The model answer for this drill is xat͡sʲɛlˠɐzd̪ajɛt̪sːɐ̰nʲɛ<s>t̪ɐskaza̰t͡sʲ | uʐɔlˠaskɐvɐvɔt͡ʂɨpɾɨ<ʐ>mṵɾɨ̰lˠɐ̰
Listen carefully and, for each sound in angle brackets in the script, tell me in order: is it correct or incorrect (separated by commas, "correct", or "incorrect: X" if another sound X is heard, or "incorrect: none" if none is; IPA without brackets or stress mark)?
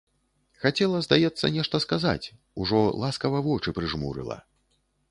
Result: incorrect: ʂ, correct